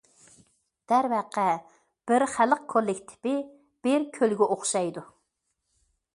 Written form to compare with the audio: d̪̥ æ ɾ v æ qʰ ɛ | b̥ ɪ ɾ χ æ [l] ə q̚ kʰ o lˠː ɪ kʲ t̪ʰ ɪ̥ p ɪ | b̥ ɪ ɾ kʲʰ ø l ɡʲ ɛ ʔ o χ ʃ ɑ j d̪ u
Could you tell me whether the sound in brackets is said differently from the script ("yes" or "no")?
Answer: no